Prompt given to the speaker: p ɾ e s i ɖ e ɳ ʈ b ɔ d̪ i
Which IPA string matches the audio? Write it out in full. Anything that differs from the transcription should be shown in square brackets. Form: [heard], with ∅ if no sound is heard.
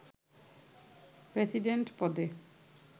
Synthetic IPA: p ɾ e s i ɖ e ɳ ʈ [p] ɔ d̪ [e]